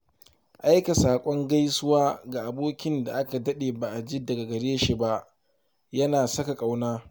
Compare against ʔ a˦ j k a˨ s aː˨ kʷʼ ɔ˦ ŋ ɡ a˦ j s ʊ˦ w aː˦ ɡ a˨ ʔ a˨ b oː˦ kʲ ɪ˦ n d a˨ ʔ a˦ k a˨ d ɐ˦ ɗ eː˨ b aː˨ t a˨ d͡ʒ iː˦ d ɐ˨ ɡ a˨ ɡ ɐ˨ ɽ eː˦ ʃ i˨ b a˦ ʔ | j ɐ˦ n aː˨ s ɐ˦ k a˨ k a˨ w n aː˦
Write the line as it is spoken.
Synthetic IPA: ʔ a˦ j k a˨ s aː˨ kʷʼ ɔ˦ ŋ ɡ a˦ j s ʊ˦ w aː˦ ɡ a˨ ʔ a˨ b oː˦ kʲ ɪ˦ n d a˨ ʔ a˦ k a˨ d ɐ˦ ɗ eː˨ b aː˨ ʔ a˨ d͡ʒ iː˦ d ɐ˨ ɡ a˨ ɡ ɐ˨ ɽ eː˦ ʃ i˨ b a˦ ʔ | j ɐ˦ n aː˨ s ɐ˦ k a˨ kʼ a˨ w n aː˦

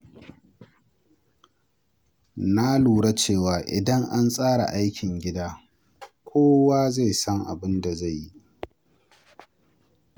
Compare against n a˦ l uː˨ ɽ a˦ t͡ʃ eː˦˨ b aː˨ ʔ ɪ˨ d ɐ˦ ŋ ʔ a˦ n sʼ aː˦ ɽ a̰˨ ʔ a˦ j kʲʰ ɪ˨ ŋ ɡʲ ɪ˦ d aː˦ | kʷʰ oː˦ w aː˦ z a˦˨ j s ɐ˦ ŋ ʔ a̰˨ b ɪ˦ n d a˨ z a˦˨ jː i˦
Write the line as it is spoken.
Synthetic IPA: n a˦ l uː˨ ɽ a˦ t͡ʃ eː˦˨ w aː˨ ʔ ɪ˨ d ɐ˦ ŋ ʔ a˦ n sʼ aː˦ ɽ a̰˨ ʔ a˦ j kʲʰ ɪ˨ ŋ ɡʲ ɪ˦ d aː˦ | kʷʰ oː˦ w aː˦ z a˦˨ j s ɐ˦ ŋ ʔ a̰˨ b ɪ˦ n d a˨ z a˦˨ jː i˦

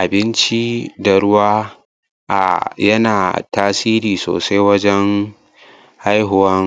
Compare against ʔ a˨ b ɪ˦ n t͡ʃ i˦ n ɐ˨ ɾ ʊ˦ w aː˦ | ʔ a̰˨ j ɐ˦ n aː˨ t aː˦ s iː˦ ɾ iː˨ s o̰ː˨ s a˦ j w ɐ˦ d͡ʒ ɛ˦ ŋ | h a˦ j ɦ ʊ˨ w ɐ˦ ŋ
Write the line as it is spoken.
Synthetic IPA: ʔ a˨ b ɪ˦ n t͡ʃ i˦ d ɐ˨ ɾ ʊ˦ w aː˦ | ʔ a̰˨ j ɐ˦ n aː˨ t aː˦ s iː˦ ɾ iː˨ s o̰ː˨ s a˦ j w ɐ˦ d͡ʒ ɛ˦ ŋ | h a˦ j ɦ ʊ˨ w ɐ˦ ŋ

